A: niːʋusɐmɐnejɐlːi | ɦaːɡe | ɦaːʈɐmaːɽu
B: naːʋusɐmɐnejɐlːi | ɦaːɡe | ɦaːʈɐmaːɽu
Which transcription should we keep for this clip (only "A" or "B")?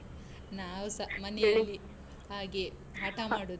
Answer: B